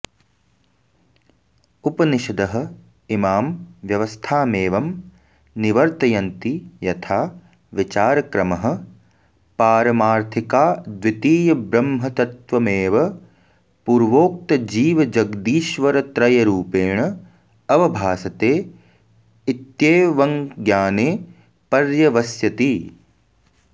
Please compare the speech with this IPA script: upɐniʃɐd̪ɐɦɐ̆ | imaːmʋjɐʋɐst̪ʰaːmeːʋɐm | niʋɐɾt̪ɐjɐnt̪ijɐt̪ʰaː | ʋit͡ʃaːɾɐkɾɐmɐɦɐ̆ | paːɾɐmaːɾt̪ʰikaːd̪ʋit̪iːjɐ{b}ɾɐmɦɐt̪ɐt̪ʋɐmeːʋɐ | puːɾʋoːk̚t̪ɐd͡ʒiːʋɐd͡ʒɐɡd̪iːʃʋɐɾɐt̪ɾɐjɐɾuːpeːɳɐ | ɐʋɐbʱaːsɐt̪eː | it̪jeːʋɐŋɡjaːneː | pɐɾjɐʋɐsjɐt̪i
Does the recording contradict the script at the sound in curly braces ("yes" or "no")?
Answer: no